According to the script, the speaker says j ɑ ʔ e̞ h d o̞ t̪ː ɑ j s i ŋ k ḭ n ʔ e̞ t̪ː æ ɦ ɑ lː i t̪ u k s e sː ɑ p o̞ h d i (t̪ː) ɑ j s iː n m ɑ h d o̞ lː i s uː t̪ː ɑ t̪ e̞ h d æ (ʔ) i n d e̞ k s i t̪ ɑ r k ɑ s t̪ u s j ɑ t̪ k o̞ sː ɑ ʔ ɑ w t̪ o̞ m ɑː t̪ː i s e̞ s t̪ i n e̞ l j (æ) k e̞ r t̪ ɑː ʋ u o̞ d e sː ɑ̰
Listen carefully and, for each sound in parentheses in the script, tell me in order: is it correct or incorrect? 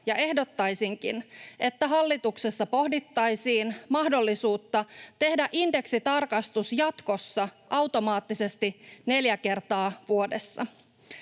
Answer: correct, correct, correct

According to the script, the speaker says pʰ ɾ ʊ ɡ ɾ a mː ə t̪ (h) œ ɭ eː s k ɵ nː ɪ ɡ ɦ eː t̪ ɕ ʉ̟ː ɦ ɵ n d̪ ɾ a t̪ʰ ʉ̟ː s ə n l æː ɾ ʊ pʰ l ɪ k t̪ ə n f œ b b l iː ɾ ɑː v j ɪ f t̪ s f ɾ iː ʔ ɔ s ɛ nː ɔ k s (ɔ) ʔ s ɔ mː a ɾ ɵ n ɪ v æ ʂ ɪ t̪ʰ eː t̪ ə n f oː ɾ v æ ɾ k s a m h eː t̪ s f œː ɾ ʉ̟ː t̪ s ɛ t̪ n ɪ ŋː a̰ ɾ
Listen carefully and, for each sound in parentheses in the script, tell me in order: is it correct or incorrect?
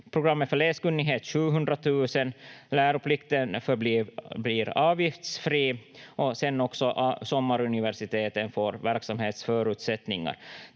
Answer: incorrect, correct

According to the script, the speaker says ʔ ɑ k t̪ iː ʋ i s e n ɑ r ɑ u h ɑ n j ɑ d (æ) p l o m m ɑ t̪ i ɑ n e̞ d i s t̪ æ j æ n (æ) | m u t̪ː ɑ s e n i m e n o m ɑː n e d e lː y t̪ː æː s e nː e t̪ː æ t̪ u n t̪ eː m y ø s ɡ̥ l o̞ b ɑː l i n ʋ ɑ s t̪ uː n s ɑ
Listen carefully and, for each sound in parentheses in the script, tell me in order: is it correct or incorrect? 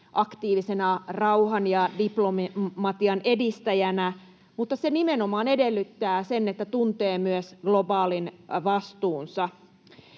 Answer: incorrect, correct

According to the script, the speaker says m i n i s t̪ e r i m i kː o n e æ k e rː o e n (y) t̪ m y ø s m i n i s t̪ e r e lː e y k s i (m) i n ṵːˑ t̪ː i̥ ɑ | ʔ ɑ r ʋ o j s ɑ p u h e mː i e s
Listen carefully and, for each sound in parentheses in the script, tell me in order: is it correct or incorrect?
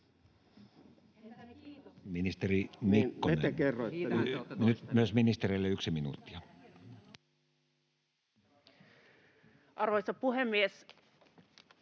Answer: correct, correct

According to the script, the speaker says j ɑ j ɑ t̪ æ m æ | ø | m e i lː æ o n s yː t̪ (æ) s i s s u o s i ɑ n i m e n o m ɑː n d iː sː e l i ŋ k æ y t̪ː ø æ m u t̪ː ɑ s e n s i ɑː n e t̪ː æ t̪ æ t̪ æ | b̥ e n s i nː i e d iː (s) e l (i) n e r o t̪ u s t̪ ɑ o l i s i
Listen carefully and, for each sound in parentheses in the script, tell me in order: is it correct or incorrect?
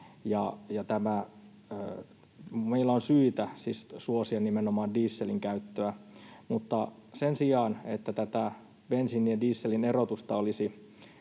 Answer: correct, incorrect, correct

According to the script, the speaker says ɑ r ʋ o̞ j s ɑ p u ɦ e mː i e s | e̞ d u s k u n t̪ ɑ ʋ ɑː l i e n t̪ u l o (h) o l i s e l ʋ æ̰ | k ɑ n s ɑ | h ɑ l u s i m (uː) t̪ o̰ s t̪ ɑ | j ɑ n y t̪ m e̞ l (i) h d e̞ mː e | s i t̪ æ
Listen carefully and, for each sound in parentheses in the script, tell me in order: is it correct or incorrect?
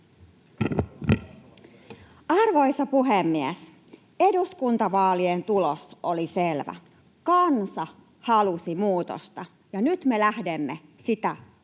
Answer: incorrect, correct, incorrect

